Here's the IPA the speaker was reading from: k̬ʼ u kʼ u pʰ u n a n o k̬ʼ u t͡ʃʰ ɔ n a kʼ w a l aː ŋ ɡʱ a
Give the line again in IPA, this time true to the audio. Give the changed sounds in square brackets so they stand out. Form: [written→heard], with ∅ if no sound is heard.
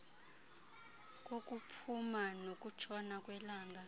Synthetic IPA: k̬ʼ [u→o] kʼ u pʰ u [n→m] a n o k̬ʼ u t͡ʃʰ ɔ n a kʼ w [a→ɛ] l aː ŋ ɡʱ a